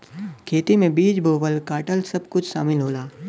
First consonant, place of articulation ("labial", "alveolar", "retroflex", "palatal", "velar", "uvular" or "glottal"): velar